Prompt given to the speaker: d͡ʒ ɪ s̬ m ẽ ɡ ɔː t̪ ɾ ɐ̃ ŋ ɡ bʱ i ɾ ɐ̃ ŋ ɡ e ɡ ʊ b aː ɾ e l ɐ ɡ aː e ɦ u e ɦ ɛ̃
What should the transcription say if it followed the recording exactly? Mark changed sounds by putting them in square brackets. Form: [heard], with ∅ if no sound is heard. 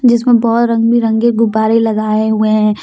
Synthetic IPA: d͡ʒ ɪ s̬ m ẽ [b] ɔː t̪ ɾ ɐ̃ ŋ ɡ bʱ i ɾ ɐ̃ ŋ ɡ e ɡ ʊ b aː ɾ e l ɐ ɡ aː e ɦ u e ɦ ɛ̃